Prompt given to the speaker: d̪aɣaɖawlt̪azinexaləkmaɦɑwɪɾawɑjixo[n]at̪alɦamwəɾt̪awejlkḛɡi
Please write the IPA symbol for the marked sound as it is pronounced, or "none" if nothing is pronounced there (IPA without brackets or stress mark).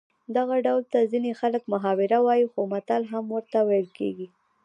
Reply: m